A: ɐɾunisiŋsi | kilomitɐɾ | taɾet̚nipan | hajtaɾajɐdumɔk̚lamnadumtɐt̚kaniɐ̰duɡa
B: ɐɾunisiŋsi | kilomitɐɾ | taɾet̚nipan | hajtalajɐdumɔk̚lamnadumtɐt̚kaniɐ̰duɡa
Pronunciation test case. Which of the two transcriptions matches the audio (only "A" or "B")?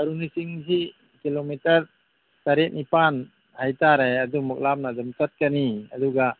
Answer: A